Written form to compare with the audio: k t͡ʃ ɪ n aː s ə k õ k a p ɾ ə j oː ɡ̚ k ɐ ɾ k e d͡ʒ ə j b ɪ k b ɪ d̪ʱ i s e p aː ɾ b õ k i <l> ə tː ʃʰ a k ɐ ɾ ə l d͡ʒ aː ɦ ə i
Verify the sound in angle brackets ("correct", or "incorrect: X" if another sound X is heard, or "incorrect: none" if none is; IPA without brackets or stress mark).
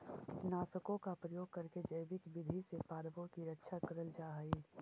incorrect: ɾ